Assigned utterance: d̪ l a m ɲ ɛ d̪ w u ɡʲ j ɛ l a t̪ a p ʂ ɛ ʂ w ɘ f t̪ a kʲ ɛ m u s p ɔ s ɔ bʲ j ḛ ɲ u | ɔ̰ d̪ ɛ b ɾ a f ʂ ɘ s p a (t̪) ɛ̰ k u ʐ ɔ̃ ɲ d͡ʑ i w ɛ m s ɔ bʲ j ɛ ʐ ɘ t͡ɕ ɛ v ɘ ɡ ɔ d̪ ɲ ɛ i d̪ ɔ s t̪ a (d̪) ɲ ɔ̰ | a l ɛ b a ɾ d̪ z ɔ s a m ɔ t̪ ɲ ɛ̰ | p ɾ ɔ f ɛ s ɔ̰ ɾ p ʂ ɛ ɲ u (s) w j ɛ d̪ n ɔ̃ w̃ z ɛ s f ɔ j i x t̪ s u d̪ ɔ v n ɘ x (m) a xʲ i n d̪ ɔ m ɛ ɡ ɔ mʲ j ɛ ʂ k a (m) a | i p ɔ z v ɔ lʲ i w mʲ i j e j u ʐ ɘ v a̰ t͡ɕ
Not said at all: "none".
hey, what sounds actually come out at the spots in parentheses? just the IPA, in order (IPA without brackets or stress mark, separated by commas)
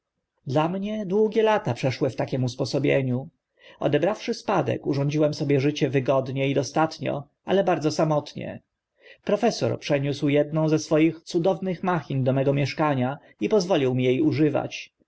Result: d̪, t̪, s, m, ɲ